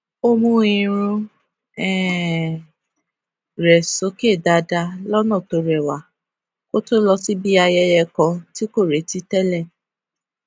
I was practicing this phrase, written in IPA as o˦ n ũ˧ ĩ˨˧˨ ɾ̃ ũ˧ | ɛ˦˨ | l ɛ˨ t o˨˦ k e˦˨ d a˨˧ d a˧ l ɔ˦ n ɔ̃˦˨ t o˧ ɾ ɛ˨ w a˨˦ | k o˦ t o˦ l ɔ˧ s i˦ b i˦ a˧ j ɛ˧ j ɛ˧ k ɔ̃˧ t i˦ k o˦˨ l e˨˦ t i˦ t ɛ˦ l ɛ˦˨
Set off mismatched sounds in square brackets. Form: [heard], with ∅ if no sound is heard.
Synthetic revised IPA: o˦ [m] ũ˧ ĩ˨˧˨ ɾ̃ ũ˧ | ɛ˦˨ | [ɾ] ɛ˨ [s] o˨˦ k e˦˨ d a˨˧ d a˧ l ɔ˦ n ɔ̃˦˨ t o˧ ɾ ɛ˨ w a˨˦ | k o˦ t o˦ l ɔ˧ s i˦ b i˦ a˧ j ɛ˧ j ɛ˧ k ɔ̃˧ t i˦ k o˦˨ [ɾ] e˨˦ t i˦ t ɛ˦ l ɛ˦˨